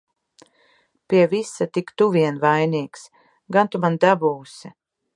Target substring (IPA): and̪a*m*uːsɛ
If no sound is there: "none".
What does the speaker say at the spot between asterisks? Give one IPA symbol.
b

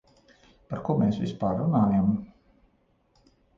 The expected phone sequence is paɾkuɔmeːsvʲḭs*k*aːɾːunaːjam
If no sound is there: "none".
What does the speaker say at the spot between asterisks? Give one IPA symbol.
p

